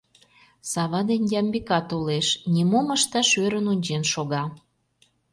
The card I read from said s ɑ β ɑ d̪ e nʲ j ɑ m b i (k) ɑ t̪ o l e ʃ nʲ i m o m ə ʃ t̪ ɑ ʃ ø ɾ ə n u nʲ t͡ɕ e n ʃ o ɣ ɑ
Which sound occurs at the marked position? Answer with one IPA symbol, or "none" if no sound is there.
k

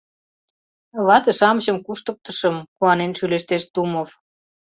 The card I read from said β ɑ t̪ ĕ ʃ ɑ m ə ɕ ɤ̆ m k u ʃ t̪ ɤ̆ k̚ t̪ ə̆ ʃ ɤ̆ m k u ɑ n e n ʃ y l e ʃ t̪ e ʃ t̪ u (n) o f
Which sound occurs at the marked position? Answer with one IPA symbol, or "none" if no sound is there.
m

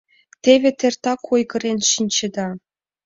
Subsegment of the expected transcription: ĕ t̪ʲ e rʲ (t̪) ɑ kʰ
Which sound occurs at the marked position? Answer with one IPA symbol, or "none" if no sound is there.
t̪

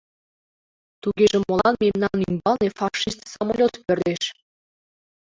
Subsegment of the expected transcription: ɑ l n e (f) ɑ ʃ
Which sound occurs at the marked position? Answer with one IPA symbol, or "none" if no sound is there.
f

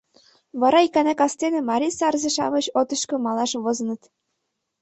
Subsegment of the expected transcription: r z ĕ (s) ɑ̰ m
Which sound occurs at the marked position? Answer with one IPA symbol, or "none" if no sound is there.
ʃ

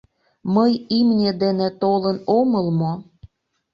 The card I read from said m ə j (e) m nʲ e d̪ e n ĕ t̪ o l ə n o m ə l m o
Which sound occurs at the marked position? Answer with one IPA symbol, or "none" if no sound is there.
i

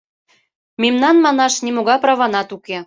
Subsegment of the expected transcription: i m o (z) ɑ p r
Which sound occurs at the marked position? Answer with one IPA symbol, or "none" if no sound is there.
ɣ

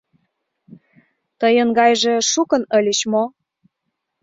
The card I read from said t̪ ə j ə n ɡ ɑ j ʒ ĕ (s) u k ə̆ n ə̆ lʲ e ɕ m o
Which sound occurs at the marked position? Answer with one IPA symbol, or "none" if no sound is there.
ʃ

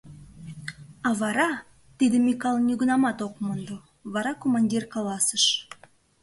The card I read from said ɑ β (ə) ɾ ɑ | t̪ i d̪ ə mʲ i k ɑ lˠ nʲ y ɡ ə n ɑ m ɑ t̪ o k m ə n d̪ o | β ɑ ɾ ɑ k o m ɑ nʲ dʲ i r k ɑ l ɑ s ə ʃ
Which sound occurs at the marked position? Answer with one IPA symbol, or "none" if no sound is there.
ɑ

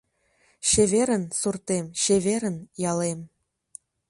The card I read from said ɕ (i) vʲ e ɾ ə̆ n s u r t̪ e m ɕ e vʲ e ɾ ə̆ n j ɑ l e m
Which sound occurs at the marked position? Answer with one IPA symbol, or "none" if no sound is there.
e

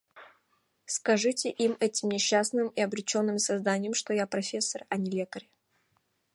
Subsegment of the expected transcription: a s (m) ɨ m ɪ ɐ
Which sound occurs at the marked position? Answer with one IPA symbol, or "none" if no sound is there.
n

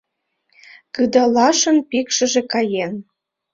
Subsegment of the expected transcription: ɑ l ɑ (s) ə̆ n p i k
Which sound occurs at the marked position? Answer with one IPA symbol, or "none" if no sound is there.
ʃ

